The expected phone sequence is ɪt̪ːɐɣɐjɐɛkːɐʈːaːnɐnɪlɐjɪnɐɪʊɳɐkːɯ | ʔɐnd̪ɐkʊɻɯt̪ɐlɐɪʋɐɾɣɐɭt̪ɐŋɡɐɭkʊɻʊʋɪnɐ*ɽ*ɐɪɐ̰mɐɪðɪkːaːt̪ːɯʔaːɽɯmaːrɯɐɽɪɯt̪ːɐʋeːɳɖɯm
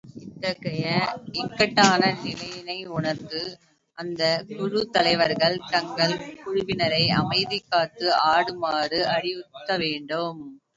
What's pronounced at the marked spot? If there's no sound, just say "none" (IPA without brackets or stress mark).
ɾ